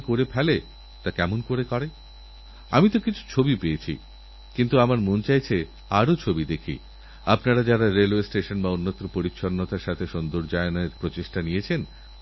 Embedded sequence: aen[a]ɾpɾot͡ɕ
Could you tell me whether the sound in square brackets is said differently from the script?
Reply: yes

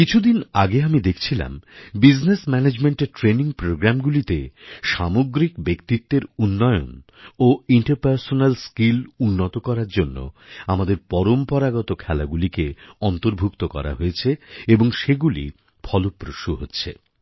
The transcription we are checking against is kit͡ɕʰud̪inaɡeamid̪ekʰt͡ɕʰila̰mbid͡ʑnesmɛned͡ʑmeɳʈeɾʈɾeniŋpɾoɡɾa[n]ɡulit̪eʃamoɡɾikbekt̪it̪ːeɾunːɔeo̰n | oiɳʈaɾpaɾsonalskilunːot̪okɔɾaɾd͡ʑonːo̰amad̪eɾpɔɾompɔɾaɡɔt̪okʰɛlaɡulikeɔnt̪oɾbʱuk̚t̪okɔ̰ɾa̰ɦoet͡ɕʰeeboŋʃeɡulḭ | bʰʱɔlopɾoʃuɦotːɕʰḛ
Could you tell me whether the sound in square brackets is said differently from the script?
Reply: yes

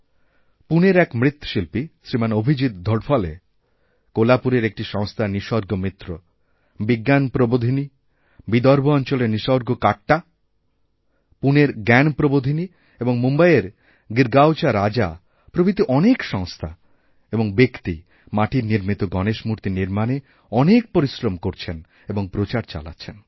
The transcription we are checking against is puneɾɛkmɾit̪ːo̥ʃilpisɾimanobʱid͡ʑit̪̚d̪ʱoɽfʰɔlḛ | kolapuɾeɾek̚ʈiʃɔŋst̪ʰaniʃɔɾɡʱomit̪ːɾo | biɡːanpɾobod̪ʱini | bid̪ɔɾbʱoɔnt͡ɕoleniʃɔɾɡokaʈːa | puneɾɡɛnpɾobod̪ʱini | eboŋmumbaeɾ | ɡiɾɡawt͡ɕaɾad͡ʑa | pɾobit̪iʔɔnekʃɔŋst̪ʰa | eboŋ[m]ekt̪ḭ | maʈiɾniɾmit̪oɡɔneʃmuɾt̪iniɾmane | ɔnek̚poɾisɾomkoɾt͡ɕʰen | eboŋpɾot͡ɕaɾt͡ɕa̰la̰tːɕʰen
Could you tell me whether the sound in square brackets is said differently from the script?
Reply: yes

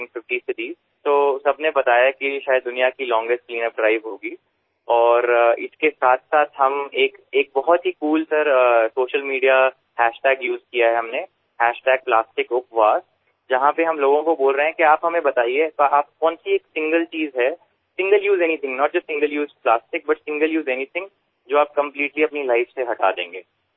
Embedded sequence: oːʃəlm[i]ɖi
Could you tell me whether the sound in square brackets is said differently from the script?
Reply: yes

